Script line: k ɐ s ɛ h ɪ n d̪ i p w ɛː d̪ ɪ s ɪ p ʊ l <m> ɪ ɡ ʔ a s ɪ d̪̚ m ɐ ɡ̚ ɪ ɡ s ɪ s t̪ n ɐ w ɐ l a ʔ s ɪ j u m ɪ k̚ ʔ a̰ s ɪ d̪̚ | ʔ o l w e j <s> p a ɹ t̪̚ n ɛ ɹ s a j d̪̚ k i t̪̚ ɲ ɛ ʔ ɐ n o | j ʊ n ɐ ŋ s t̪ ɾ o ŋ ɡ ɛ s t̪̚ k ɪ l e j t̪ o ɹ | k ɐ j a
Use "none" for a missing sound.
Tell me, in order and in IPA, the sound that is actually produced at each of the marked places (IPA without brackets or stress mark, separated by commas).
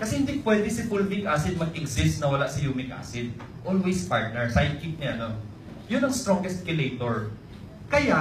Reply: m, s